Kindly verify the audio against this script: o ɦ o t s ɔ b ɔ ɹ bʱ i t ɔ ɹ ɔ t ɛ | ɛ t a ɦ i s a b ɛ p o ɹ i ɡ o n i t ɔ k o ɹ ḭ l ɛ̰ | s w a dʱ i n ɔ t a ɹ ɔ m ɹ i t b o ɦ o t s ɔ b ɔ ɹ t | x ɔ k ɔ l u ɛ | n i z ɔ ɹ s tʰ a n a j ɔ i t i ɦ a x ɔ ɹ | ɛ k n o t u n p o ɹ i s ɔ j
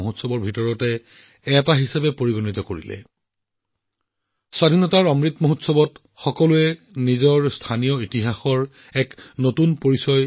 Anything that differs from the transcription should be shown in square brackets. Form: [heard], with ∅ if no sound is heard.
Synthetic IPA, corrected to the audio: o ɦ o t s ɔ b ɔ ɹ bʱ i t ɔ ɹ ɔ t ɛ | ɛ t a ɦ i s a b ɛ p o ɹ i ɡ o n i t ɔ k o ɹ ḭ l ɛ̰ | s w a dʱ i n ɔ t a ɹ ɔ m ɹ i t [m] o ɦ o t s ɔ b ɔ [∅] t | x ɔ k ɔ l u ɛ | n i z ɔ ɹ s tʰ a n [i] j ɔ i t i ɦ a x ɔ ɹ | ɛ k n o t u n p o ɹ i s ɔ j